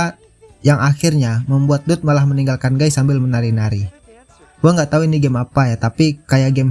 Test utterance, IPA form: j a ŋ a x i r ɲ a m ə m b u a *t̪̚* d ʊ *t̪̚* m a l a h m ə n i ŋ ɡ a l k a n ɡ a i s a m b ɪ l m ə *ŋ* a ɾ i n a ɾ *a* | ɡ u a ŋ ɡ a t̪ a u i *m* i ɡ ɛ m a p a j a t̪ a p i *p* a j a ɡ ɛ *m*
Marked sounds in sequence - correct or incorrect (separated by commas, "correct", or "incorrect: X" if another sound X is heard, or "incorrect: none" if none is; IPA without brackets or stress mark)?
correct, correct, incorrect: n, incorrect: i, incorrect: n, incorrect: k, correct